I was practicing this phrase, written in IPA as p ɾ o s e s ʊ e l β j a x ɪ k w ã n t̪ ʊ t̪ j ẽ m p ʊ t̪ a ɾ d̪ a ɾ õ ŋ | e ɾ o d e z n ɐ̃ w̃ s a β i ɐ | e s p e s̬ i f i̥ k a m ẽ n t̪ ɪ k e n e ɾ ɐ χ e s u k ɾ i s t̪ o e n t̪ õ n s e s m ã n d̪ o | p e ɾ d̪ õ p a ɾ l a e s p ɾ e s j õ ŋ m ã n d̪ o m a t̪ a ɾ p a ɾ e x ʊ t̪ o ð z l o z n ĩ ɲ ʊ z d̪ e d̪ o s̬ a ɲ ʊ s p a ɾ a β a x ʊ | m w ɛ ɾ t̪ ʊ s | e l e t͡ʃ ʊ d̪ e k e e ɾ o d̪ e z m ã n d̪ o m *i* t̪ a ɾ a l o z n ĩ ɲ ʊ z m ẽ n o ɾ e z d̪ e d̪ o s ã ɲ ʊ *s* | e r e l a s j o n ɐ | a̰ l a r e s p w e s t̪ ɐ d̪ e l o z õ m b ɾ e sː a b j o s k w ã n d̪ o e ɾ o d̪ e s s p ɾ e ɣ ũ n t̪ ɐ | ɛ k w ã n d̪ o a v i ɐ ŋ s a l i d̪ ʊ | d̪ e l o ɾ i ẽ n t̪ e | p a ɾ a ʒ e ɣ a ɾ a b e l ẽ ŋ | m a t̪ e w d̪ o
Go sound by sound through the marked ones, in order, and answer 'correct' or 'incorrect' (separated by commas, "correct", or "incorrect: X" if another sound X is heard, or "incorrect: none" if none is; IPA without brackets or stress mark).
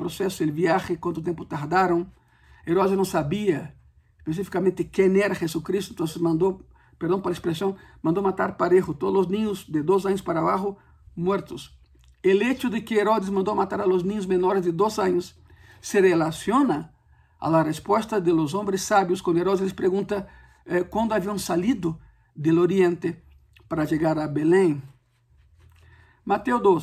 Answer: incorrect: a, incorrect: sː